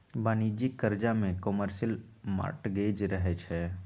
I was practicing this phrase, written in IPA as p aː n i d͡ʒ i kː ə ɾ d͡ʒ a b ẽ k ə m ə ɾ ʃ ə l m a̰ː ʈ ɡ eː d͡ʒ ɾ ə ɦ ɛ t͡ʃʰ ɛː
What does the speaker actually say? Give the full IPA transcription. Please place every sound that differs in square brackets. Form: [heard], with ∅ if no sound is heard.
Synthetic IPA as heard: [b] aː n i d͡ʒ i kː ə ɾ d͡ʒ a [m] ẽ k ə m ə ɾ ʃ ə l m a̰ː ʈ ɡ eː d͡ʒ ɾ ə ɦ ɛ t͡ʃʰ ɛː